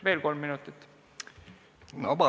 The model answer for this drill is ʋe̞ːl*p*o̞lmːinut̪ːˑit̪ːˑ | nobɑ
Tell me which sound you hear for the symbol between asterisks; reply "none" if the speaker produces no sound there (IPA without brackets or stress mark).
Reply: k